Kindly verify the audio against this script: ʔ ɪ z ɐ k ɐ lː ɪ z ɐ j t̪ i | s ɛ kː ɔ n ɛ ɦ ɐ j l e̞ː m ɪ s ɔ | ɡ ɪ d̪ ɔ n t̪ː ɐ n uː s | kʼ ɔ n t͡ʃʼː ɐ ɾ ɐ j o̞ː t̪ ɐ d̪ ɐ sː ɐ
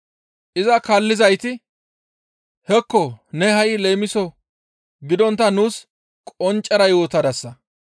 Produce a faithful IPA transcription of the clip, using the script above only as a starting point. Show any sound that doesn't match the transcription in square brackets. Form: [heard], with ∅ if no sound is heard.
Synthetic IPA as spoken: ʔ ɪ z ɐ k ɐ lː ɪ z ɐ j t̪ [ɪ] | [h] ɛ kː ɔ n ɛ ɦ ɐ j l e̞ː m ɪ s ɔ | ɡ ɪ d̪ ɔ n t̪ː ɐ n uː s | kʼ ɔ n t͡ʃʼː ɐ ɾ ɐ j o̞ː t̪ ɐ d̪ ɐ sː ɐ